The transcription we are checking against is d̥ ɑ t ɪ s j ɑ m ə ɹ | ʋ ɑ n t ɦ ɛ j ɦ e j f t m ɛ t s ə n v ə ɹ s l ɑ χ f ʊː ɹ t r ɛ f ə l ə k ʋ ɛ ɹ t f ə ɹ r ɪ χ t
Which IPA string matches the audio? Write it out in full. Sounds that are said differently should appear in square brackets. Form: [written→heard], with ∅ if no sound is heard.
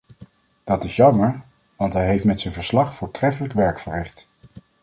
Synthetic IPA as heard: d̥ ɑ t ɪ s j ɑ m ə ɹ | ʋ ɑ n t ɦ ɛ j ɦ e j f t m ɛ t s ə n v ə ɹ s l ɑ χ f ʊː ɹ t r ɛ f ə l ə k ʋ ɛ ɹ [t→k] f ə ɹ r ɪ χ t